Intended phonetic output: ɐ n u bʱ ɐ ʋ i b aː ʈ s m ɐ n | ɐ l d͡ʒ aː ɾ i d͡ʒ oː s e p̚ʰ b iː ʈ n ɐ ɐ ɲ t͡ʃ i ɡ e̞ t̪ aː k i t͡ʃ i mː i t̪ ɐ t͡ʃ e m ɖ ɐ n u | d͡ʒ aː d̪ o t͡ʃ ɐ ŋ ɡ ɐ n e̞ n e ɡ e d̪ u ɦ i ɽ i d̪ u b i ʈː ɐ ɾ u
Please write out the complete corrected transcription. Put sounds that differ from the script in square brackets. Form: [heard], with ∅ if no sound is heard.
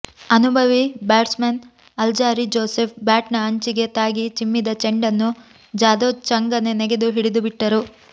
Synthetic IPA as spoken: ɐ n u bʱ ɐ ʋ i b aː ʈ s m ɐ n | ɐ l d͡ʒ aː ɾ i d͡ʒ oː s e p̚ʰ b [aː] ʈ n ɐ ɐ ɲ t͡ʃ i ɡ e̞ t̪ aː [ɡ] i t͡ʃ i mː i [d̪] ɐ t͡ʃ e [ɳ] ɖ ɐ [nː] u | d͡ʒ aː d̪ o t͡ʃ ɐ ŋ ɡ ɐ n e̞ n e ɡ e d̪ u ɦ i ɽ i d̪ u b i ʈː ɐ ɾ u